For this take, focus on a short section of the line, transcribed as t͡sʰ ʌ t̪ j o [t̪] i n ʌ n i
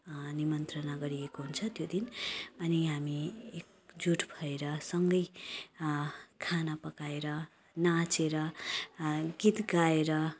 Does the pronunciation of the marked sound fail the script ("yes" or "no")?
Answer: yes